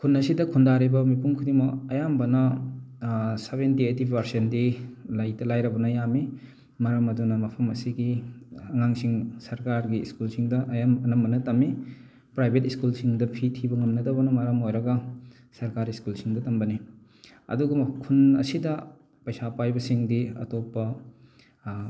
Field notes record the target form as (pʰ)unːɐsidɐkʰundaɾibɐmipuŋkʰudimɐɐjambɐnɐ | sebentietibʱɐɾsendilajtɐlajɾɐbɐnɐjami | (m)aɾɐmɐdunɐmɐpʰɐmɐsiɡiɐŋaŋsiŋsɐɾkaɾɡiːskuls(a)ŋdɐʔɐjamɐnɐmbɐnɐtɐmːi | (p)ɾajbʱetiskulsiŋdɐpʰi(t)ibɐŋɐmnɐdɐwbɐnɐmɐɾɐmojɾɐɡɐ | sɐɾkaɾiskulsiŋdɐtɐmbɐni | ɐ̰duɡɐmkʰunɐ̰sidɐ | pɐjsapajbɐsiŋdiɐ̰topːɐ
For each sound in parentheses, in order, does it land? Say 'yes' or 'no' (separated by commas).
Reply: no, yes, no, yes, no